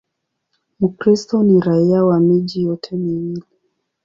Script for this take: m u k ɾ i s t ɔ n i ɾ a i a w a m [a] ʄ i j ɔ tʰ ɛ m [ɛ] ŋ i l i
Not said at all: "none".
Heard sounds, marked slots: i, i

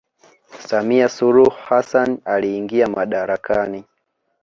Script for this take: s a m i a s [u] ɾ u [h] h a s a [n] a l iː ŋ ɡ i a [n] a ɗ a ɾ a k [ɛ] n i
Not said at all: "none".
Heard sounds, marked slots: u, h, n, m, a

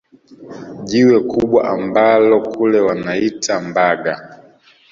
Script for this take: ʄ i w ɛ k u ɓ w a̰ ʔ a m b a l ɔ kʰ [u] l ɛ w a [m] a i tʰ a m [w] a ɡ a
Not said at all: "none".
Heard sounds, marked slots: u, n, b

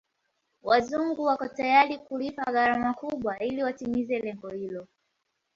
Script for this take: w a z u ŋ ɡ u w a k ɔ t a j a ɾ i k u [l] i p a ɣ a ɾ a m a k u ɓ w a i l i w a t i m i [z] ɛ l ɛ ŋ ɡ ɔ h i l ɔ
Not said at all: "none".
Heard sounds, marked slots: l, z

